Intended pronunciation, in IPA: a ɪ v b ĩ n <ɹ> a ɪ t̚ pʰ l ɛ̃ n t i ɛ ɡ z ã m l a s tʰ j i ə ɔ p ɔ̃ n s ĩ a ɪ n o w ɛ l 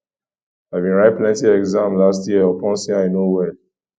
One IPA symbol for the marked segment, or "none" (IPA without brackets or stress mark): ɹ